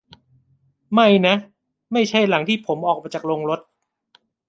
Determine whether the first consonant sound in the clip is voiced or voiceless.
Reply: voiced